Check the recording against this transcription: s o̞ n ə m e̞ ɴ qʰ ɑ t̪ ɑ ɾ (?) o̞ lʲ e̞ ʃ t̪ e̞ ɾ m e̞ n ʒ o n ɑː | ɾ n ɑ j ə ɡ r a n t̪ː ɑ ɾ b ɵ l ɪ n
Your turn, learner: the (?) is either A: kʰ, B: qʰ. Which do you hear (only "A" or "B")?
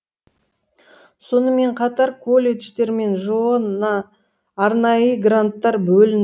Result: A